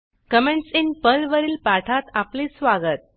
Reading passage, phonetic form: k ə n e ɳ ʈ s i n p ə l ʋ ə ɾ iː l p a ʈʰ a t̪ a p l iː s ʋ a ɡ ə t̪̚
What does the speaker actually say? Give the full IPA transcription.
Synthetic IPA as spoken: k ə m e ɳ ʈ s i n p ə l ʋ ə ɾ iː l p a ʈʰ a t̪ a p l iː s ʋ a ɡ ə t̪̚